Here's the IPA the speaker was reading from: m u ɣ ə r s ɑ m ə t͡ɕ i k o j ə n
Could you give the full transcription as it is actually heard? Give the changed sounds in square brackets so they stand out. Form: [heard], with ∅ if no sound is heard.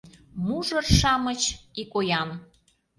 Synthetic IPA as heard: m u [ʒ] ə r [ʃ] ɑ m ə t͡ɕ i k o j [ɑ] n

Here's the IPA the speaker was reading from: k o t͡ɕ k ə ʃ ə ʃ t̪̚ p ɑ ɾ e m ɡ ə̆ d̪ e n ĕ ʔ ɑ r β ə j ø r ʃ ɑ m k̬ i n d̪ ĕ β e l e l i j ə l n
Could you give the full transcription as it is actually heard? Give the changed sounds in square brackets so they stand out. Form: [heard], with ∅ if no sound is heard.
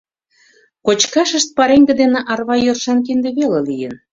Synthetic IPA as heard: k o t͡ɕ k [ɑ] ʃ ə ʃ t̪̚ p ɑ ɾ e [ŋ] ɡ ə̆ d̪ e n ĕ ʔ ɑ r β [ɑ] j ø r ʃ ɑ [n] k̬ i n d̪ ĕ β e l e l i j ə [∅] n

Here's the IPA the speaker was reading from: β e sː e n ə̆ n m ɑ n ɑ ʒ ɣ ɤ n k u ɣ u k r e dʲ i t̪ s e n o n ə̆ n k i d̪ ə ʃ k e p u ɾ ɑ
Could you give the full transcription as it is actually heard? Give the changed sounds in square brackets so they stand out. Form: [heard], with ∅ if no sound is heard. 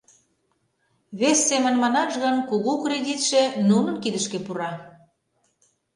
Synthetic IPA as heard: β e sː e [m] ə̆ n m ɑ n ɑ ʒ ɣ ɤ n k u ɣ u k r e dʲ i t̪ [ʃ] e n [u] n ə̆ n k i d̪ ə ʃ k e p u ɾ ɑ

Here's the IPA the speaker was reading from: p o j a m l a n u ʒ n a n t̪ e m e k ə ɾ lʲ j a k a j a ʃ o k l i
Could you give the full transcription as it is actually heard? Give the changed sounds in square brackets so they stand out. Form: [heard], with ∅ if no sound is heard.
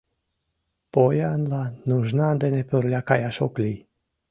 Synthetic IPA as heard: p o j a [n] l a n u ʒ n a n [d̪] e [n] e [p] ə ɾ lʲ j a k a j a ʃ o k l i

